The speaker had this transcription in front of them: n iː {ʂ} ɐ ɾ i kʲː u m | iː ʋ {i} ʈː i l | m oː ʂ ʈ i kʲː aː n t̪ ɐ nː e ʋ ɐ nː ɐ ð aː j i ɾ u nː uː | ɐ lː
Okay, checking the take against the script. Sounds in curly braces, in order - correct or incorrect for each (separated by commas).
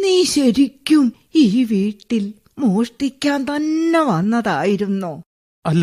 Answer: incorrect, incorrect